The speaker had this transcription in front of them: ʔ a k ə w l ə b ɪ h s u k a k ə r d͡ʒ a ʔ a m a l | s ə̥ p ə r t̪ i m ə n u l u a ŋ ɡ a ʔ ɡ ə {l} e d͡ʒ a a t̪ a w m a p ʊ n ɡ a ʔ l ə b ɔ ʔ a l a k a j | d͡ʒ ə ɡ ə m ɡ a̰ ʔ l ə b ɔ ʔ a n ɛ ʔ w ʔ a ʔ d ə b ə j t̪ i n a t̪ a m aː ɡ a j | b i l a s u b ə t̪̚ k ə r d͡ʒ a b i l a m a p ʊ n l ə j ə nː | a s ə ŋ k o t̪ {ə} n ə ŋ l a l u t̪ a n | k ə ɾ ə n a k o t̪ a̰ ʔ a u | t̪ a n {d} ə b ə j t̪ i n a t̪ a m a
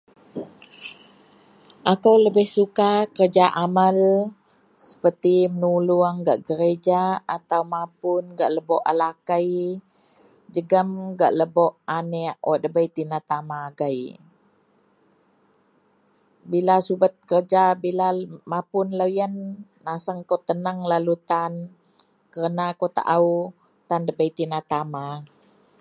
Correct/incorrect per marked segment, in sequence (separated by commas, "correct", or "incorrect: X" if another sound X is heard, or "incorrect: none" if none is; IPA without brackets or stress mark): incorrect: ɾ, correct, correct